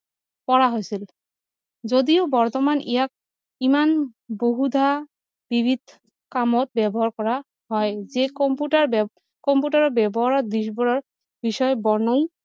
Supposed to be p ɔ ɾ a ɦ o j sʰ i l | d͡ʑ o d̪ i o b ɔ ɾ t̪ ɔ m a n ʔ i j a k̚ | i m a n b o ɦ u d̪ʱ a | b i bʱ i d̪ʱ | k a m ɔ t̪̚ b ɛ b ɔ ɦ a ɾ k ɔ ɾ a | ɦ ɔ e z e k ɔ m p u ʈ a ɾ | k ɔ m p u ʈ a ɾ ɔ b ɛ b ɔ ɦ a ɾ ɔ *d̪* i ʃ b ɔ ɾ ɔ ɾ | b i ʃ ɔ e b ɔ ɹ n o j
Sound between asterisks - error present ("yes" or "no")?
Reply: no